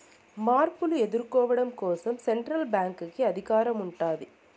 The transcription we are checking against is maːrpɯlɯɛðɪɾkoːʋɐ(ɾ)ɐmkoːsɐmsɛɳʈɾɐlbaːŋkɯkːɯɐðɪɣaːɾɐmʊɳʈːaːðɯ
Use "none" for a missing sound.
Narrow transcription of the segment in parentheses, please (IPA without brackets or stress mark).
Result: ɽ